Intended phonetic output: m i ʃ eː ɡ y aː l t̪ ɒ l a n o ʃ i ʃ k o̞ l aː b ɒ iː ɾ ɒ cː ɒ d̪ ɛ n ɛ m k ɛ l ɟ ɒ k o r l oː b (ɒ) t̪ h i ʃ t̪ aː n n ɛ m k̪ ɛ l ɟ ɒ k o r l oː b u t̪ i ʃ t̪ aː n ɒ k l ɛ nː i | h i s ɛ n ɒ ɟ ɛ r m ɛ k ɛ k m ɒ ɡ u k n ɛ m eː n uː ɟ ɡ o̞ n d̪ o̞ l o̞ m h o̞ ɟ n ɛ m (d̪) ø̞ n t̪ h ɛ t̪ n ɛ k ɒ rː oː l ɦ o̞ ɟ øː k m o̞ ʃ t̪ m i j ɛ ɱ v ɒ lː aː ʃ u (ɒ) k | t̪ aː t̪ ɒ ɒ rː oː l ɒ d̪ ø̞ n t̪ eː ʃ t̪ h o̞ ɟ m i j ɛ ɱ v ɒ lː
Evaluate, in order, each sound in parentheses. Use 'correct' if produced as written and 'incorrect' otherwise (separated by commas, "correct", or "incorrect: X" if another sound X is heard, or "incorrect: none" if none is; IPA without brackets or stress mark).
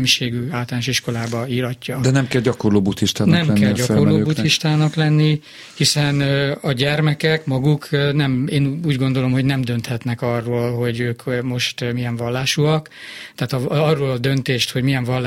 incorrect: u, correct, correct